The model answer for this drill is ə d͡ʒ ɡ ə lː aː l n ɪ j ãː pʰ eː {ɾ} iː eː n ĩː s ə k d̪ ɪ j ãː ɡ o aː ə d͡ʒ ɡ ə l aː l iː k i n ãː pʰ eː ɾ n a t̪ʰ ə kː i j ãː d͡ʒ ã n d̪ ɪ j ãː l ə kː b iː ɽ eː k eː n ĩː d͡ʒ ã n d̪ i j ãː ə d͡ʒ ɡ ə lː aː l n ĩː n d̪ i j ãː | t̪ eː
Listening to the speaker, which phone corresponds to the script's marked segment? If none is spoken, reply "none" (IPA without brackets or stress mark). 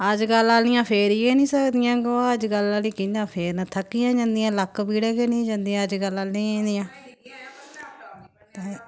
ɾ